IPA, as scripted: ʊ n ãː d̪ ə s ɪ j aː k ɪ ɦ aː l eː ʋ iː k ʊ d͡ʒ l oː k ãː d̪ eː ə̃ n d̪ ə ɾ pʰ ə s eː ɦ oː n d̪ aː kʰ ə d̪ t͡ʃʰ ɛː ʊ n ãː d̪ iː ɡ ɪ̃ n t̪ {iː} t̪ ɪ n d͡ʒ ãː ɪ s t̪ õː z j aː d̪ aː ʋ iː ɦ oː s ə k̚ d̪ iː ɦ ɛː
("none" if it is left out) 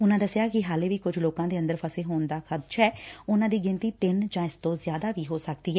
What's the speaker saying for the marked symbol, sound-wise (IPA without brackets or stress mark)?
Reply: iː